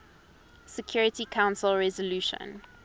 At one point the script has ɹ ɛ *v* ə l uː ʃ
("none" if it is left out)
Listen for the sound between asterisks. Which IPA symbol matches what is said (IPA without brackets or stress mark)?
z